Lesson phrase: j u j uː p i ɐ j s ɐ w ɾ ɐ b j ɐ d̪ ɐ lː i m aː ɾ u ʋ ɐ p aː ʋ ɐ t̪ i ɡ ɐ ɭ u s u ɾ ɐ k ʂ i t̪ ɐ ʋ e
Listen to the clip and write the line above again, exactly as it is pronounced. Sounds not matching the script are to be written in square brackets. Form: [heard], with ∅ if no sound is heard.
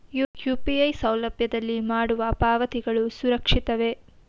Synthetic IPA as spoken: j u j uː p i ɐ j s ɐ w [l] ɐ b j ɐ d̪ ɐ lː i m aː [ɽ] u ʋ ɐ p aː ʋ ɐ t̪ i ɡ ɐ ɭ u s u ɾ ɐ k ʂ i t̪ ɐ ʋ e